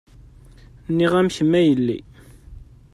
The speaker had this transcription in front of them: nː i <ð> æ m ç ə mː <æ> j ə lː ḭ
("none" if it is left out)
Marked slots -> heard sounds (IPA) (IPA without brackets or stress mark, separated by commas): ʁ, æ